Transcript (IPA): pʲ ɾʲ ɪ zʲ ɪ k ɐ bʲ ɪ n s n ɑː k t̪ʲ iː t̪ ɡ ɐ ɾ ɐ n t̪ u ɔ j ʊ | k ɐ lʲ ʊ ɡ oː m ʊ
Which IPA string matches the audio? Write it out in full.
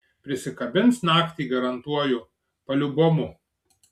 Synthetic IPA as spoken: pʲ ɾʲ ɪ sʲ ɪ k ɐ bʲ ɪ n s n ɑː k t̪ʲ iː ɡ ɐ ɾ ɐ n t̪ u ɔ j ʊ | p ɐ lʲ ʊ b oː m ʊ